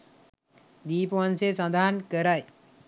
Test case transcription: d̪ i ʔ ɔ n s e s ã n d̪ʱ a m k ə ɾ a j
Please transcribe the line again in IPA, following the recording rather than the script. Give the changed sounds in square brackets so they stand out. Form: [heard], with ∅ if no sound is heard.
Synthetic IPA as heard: d̪ i [p] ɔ n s e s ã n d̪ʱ a [n] k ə ɾ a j